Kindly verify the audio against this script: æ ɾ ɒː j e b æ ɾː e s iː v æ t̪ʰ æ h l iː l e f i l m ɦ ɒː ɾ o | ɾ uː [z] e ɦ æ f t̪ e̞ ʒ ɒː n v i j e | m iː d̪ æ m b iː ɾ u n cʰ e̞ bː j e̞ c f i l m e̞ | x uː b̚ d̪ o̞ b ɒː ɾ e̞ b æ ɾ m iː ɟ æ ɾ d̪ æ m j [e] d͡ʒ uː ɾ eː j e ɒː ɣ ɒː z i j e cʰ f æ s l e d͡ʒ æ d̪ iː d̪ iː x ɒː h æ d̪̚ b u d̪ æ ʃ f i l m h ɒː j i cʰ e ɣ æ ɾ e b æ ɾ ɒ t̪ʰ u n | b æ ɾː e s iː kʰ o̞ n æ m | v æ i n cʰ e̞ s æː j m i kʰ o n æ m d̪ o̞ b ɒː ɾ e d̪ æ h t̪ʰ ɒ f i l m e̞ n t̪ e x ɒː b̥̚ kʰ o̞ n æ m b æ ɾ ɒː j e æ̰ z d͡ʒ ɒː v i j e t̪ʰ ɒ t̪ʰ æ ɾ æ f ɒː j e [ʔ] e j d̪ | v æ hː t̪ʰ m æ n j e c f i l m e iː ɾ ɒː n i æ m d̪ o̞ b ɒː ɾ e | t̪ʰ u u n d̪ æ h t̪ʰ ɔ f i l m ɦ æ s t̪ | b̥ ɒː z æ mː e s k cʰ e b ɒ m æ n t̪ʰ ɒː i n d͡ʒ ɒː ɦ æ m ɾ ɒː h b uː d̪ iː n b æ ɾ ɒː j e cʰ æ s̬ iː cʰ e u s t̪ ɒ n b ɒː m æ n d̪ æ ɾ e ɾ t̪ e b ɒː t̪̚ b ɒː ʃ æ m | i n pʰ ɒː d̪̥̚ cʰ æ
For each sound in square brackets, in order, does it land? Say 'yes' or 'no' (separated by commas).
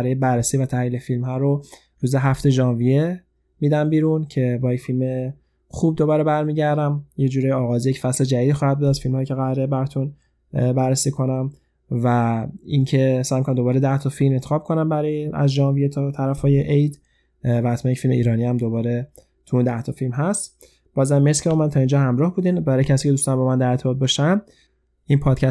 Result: yes, yes, yes